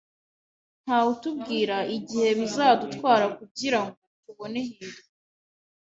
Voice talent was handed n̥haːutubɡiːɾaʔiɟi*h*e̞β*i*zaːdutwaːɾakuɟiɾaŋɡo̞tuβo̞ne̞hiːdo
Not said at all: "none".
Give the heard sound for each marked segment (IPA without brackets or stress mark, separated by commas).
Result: h, i